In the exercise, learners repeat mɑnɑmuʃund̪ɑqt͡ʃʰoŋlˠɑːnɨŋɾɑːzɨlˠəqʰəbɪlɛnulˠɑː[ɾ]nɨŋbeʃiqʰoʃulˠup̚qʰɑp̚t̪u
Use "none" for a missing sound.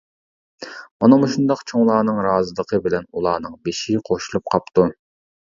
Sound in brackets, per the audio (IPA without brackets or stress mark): none